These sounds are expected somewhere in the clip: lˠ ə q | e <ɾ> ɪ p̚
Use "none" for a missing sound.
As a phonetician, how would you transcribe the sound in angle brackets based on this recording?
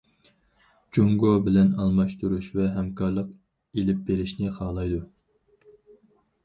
l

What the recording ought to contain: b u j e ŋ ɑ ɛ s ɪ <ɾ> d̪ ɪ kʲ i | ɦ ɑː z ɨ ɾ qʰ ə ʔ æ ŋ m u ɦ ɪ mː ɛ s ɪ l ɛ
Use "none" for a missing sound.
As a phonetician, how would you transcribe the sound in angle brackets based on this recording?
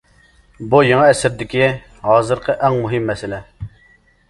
ɾ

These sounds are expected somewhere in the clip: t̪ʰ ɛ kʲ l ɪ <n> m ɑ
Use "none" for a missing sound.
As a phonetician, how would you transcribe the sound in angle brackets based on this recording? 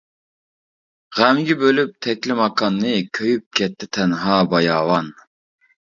none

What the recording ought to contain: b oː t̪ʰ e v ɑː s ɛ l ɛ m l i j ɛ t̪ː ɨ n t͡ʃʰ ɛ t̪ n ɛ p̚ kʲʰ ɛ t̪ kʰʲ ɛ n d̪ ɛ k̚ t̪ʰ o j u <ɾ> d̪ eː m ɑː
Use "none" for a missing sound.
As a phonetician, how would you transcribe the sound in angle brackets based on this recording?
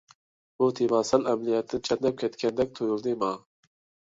l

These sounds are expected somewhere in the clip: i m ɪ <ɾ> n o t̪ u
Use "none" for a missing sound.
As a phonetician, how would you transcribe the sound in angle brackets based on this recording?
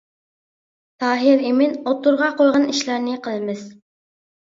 none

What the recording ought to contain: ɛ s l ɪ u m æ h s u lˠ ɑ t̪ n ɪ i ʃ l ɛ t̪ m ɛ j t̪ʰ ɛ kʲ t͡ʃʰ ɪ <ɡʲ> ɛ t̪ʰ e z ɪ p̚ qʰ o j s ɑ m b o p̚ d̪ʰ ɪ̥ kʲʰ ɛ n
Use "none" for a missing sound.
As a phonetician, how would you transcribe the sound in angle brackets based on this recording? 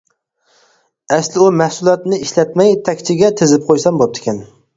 ɡʲ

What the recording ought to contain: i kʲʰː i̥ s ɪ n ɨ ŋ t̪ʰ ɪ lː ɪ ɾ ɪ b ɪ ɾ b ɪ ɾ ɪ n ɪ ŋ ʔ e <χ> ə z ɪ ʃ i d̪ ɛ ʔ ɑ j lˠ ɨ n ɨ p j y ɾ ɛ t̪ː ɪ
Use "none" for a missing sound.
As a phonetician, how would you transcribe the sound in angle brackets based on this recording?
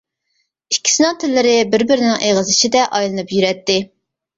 ʁ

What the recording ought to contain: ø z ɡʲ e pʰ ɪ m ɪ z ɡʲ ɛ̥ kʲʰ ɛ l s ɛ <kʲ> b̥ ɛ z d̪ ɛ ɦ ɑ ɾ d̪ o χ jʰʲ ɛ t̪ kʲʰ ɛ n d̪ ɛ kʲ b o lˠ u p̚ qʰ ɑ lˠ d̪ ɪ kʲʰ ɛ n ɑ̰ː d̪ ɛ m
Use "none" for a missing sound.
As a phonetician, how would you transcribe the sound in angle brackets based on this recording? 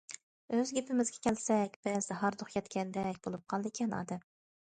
kʲ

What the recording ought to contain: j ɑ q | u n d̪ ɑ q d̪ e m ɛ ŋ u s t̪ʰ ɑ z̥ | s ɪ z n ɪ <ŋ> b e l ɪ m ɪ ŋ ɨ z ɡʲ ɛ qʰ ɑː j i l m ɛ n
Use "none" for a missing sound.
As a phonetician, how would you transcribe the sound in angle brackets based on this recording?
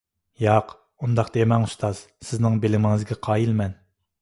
ŋ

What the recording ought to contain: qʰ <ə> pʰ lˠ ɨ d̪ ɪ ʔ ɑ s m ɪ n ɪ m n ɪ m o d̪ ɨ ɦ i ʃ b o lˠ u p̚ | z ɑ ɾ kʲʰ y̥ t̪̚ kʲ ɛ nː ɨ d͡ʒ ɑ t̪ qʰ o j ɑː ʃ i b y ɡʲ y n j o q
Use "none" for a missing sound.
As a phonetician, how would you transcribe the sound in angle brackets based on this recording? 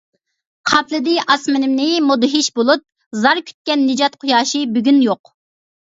ɑ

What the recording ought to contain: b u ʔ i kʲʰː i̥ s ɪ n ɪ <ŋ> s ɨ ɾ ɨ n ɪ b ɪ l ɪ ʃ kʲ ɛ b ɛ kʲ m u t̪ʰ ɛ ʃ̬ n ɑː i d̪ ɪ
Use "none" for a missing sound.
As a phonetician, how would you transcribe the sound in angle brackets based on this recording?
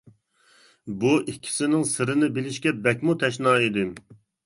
ŋ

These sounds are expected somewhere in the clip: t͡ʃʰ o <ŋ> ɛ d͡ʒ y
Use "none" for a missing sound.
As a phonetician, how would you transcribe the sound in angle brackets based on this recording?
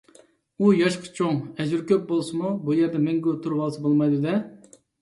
ŋ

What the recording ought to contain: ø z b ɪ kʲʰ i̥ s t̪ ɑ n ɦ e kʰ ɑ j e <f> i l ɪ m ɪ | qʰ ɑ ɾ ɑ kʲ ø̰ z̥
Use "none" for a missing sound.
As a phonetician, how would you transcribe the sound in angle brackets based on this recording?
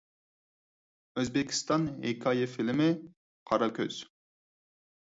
f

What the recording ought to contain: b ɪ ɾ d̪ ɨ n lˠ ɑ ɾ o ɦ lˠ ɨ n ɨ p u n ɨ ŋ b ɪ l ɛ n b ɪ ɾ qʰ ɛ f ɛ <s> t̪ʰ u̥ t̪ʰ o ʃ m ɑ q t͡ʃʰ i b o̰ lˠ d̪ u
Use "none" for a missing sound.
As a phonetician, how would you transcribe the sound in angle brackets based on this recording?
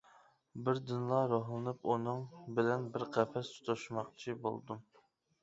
s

